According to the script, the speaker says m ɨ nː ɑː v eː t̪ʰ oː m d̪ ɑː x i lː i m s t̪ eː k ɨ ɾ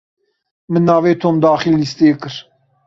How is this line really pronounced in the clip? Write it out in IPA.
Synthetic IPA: m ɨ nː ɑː v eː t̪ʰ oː m d̪ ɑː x i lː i s t̪ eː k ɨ ɾ